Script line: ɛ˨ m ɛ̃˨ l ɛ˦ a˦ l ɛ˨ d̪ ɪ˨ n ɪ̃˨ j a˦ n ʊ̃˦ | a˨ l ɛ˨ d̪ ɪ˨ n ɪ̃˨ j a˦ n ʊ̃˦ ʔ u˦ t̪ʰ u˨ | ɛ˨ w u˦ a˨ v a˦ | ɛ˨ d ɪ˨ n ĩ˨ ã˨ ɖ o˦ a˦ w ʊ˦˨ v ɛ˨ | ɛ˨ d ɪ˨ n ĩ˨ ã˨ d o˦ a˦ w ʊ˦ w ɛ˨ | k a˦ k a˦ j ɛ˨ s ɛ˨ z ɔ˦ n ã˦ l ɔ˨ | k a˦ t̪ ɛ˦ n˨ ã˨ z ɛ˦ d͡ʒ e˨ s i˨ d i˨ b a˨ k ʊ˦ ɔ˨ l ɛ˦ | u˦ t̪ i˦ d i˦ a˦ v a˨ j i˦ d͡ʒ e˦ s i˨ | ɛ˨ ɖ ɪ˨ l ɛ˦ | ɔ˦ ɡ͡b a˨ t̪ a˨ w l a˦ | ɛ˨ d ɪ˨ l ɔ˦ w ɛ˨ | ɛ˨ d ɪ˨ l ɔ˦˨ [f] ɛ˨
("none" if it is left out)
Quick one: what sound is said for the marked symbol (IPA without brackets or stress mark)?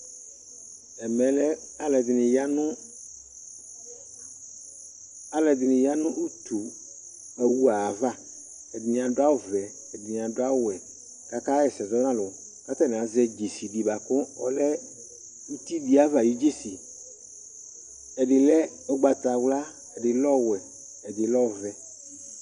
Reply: v